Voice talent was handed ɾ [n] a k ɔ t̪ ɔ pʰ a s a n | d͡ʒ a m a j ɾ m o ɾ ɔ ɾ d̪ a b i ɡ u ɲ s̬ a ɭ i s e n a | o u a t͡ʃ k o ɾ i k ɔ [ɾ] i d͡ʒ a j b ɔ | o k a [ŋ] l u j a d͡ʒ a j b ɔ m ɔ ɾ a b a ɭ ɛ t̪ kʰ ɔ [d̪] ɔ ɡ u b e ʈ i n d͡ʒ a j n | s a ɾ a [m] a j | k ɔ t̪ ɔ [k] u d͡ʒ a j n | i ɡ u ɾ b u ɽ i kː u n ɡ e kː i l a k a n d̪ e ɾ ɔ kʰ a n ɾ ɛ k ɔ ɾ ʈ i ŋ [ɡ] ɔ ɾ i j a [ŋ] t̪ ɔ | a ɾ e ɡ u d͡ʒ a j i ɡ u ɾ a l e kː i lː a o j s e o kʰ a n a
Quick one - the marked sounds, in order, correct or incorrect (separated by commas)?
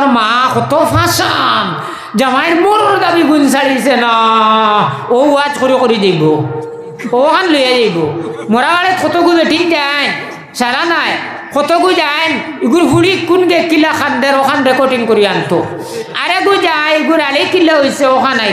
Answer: incorrect, correct, incorrect, incorrect, incorrect, incorrect, incorrect, incorrect